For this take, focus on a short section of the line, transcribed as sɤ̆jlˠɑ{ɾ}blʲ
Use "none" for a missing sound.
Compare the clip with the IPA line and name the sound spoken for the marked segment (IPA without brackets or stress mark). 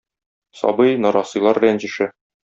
ɾ